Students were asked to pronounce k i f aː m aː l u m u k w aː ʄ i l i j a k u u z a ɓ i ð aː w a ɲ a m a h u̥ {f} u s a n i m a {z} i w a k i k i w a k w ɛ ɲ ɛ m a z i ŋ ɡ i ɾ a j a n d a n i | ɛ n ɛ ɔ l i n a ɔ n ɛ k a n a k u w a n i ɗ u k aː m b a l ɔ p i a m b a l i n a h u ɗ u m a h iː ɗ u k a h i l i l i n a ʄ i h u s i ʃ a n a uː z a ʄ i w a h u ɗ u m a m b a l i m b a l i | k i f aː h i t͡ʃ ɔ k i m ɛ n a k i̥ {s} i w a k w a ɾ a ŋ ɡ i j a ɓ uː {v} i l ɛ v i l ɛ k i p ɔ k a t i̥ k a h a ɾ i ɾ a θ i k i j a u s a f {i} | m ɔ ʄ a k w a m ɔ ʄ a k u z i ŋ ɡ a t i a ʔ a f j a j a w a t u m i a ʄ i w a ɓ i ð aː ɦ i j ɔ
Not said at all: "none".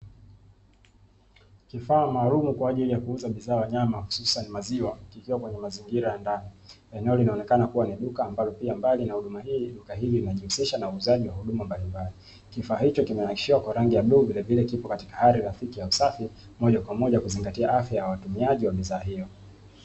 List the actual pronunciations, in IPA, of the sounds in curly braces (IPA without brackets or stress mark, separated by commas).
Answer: s, z, ʃ, v, i